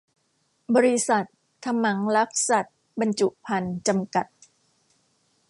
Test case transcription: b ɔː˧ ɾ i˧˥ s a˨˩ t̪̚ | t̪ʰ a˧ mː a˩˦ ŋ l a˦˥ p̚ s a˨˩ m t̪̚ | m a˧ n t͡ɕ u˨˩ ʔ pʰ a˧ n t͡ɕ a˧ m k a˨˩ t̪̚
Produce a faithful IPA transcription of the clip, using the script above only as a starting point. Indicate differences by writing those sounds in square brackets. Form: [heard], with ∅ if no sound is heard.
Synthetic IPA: b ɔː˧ ɾ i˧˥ s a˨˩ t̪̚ | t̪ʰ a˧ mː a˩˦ ŋ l a˦˥ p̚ s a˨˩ [∅] t̪̚ | [b] a˧ n t͡ɕ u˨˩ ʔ pʰ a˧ n t͡ɕ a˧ m k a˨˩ t̪̚